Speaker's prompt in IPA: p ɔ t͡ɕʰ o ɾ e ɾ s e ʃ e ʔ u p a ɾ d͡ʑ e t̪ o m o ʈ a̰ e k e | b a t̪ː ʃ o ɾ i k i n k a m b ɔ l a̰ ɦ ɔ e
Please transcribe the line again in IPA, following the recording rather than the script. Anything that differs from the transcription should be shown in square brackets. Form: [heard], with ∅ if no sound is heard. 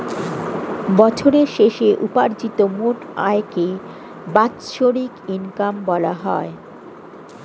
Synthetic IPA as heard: [b] ɔ t͡ɕʰ o ɾ e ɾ [ʃ] e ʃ e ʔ u p a ɾ d͡ʑ [i] t̪ o m o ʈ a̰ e k e | b a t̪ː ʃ o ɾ i k i n k a m b ɔ l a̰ ɦ ɔ e

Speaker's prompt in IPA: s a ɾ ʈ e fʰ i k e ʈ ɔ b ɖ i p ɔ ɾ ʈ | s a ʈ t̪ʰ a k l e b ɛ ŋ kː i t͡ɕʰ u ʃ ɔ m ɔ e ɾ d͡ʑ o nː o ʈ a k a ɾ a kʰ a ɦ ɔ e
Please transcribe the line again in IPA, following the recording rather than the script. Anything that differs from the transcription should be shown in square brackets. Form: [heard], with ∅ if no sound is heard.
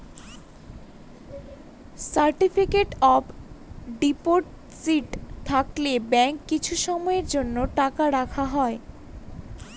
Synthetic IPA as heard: s a ɾ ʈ [i] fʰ i k e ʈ ɔ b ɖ i p [o] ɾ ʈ | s [i] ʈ t̪ʰ a k l e b ɛ ŋ kː i t͡ɕʰ u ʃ ɔ m ɔ e ɾ d͡ʑ o nː o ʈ a k a ɾ a kʰ a ɦ ɔ e

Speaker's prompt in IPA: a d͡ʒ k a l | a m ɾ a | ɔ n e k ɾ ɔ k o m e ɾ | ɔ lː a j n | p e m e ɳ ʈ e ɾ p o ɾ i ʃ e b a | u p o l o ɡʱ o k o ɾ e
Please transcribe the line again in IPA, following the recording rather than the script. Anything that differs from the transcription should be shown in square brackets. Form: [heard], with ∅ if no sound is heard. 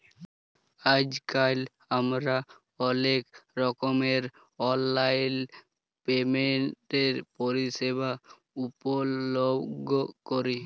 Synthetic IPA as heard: a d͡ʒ k a l | a m ɾ a | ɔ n e k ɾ ɔ k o m e ɾ | ɔ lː a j n | p e m e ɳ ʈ e ɾ p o ɾ i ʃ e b a | u p o l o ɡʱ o k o ɾ [i]

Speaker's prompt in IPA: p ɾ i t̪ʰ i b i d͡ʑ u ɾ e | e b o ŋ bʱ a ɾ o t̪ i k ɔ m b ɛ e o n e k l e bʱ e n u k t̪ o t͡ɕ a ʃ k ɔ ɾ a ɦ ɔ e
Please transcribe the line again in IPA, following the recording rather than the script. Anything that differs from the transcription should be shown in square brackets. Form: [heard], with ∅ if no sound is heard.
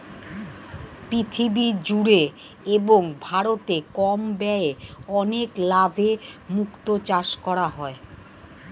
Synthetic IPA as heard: p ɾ i t̪ʰ i b i d͡ʑ u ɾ e | e b o ŋ bʱ a ɾ o t̪ [e] k ɔ m b ɛ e [ɔ] n e k l [a] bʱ e [m] u k t̪ o t͡ɕ a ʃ k ɔ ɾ a ɦ ɔ e

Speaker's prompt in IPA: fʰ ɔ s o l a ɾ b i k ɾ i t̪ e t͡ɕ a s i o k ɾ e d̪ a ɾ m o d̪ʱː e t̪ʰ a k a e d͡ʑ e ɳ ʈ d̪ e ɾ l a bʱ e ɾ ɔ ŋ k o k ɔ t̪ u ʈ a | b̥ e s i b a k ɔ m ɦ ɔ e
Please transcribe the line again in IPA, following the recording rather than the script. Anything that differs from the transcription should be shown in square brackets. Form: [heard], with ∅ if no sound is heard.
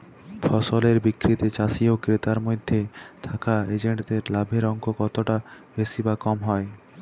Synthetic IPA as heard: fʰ ɔ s o l [e] ɾ b i k ɾ i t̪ e t͡ɕ a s i o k ɾ e [t̪] a ɾ m o d̪ʱː e t̪ʰ a k a e d͡ʑ e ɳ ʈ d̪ e ɾ l a bʱ e ɾ ɔ ŋ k o k ɔ t̪ [o] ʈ a | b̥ e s i b a k ɔ m ɦ ɔ e

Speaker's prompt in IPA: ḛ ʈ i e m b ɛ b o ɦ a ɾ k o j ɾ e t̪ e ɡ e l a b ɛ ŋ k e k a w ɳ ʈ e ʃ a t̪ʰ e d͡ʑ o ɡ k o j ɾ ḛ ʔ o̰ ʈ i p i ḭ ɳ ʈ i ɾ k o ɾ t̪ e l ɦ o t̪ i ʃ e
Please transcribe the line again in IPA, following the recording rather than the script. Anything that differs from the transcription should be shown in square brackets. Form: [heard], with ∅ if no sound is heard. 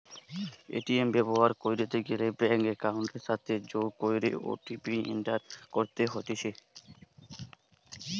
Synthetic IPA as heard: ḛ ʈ i e m b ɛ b o ɦ a ɾ k o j ɾ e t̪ e ɡ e l [e] b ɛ ŋ k e k a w ɳ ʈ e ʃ a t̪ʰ e d͡ʑ o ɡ k o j ɾ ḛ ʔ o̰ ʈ i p i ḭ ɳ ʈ [a] ɾ k o ɾ t̪ e [∅] ɦ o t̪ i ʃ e

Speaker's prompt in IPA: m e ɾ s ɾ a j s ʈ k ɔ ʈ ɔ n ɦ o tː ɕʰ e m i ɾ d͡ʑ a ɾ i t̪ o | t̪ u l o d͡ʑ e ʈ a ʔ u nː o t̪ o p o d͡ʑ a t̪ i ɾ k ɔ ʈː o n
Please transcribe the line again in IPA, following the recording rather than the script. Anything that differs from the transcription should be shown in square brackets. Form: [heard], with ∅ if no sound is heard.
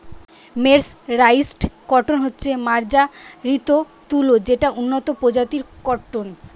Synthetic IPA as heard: m e ɾ s ɾ a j s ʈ k ɔ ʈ [o] n ɦ o tː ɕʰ e m [a] ɾ d͡ʑ a ɾ i t̪ o | t̪ u l o d͡ʑ e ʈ a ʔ u nː o t̪ o p o d͡ʑ a t̪ i ɾ k ɔ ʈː o n

